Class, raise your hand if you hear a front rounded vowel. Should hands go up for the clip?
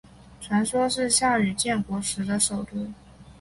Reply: yes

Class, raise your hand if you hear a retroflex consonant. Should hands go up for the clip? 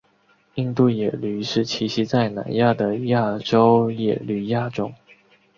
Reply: yes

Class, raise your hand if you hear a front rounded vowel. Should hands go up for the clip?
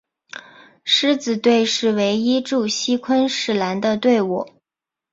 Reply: no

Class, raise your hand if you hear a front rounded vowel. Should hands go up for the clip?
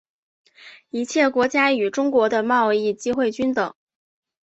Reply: yes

